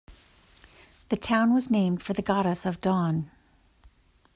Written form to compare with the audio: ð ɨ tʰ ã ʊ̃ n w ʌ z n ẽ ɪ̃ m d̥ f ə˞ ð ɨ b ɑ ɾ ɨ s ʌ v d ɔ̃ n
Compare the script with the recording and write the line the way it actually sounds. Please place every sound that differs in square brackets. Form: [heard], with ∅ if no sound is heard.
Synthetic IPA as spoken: ð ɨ tʰ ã ʊ̃ n w ʌ z n ẽ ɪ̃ m d̥ f ə˞ ð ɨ [ɡ] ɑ ɾ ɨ s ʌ v d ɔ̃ n